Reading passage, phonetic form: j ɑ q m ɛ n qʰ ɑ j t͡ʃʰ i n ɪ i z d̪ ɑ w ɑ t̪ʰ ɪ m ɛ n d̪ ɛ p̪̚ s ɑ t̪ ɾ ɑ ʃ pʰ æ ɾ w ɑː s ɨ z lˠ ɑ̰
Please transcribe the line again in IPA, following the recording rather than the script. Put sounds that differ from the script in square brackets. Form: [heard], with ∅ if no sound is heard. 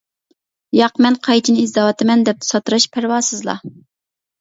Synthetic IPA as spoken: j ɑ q m ɛ n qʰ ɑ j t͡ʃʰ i n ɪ i z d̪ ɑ w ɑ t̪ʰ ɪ m ɛ n d̪ ɛ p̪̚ s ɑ t̪ ɾ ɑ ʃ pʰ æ ɾ w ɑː s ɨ z lˠ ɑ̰